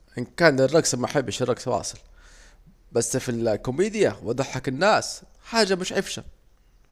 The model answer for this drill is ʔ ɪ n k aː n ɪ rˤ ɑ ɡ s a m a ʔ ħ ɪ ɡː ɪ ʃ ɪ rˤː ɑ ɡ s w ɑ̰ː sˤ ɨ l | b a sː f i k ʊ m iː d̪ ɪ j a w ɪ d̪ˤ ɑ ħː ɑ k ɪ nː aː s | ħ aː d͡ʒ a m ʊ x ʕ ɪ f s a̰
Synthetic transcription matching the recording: ʔ ɪ n k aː n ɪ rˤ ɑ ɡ s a m a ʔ ħ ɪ bː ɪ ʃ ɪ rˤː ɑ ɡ s w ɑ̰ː sˤ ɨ l | b a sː f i k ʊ m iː d̪ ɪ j a w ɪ d̪ˤ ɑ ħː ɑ k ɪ nː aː s | ħ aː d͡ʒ a m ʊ ʃ ʕ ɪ f ʃ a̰